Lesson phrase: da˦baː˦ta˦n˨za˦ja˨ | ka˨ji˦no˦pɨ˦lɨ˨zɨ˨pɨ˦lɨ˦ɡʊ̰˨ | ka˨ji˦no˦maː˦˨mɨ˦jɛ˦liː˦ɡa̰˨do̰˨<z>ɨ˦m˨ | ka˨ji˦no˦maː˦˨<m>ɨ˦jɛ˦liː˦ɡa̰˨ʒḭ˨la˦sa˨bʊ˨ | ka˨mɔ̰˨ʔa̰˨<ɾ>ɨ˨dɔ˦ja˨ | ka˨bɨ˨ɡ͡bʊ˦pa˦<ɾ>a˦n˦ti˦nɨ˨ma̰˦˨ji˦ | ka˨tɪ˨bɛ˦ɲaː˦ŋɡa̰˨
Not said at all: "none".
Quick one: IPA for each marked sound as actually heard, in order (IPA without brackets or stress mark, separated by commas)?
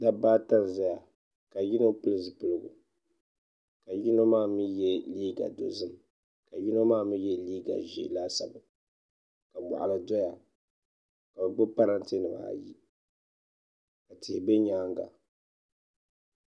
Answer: z, m, l, ɾ